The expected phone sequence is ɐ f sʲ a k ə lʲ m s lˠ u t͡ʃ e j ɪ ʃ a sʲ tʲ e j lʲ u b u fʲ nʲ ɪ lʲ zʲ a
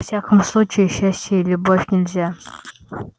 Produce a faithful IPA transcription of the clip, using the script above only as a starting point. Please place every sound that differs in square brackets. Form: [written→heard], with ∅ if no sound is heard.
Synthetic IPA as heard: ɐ f sʲ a k ə [lʲ→∅] m s lˠ u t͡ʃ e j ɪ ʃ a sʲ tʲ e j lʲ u b [u→o] fʲ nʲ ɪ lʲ zʲ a